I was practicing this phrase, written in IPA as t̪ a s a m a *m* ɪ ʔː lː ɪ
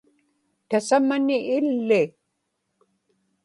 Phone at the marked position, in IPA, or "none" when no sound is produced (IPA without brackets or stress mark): n